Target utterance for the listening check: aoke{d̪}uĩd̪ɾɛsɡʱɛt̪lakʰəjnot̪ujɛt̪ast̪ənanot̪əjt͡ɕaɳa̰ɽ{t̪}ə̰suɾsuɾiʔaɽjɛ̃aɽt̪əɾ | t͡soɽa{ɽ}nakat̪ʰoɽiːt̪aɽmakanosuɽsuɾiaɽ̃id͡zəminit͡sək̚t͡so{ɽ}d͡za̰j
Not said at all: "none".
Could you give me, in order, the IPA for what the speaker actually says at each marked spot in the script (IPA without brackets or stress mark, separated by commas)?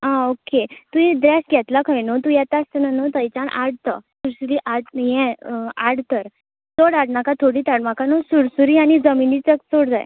t̪, t̪, ɽ, ɽ